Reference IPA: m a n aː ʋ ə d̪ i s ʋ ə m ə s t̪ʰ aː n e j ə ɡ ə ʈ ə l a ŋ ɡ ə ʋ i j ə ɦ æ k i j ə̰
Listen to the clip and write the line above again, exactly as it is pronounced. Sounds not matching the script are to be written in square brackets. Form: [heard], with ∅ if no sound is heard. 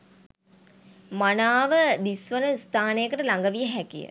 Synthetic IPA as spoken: m a n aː ʋ ə d̪ i s ʋ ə [n] ə s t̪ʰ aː n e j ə [k] ə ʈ ə l a ŋ ɡ ə ʋ i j ə ɦ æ k i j ə̰